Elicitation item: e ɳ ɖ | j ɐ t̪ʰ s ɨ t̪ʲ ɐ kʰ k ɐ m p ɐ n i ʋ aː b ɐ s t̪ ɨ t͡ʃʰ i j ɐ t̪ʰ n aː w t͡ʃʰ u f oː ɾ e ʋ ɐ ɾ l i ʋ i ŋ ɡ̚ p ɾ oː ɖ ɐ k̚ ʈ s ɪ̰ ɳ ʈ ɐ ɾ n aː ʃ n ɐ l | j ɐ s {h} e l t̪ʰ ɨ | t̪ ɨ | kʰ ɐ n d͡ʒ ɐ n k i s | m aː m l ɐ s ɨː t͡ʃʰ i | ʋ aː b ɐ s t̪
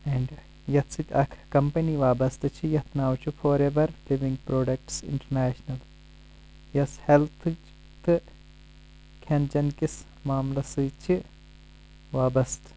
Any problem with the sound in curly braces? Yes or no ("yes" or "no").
no